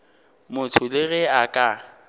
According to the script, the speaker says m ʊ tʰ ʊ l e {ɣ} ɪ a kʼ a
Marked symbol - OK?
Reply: yes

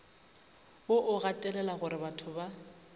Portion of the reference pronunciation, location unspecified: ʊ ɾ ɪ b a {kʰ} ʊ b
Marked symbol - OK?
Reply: no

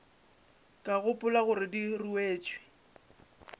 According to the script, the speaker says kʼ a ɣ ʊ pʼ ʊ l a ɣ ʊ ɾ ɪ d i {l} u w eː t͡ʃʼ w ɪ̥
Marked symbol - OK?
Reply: no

